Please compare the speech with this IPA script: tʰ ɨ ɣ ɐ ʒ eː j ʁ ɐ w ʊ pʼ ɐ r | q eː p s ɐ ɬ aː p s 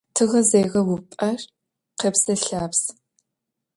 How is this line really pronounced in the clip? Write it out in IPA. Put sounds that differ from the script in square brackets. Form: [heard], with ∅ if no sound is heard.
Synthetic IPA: tʰ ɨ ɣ ɐ [z] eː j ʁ ɐ w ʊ pʼ ɐ r | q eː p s ɐ ɬ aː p s